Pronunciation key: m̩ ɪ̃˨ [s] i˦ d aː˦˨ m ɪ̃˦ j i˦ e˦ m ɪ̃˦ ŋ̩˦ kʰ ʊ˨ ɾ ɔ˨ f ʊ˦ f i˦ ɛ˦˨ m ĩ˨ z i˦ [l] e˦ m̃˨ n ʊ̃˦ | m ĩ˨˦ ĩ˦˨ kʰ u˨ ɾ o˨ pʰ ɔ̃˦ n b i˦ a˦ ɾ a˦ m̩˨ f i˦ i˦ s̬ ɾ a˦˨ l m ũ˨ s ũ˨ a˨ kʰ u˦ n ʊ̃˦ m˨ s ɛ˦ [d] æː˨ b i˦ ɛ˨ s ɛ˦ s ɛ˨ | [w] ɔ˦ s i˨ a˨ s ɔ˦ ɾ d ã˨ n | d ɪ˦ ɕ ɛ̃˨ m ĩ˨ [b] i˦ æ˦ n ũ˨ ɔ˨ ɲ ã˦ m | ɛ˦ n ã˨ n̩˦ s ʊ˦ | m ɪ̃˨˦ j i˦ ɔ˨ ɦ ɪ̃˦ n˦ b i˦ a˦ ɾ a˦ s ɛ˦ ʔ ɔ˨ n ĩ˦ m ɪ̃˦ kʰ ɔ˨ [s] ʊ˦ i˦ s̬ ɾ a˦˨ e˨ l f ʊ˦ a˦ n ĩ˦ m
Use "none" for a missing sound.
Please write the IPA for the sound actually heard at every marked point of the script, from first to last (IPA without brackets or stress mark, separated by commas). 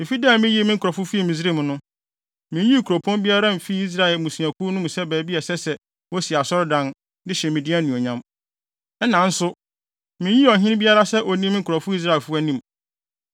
f, ɾ, b, w, d, f